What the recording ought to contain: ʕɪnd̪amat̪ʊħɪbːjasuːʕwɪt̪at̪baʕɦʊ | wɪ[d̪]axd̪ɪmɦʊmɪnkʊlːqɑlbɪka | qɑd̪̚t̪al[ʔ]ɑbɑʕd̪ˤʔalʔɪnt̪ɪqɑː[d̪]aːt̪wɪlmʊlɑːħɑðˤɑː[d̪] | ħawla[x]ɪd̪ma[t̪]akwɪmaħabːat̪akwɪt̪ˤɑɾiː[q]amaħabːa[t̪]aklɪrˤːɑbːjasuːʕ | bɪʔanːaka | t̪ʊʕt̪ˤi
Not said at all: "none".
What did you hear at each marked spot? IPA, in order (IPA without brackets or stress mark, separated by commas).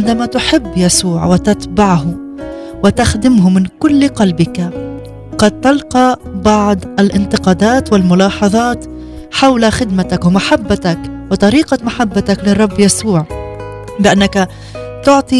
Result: t̪, q, d̪, t̪, x, t̪, q, t̪